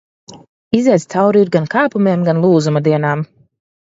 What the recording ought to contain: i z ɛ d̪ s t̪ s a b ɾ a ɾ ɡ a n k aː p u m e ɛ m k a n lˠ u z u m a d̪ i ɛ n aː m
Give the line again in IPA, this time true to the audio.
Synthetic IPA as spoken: i z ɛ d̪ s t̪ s a w ɾ i ɾ ɡ a n k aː p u m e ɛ m ɡ a n lˠ uː z u m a d̪ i ɛ n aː m